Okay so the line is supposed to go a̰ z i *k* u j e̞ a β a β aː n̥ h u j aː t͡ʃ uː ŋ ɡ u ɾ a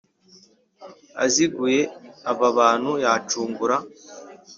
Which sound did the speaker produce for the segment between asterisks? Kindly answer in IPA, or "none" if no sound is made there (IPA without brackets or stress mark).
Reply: ɡ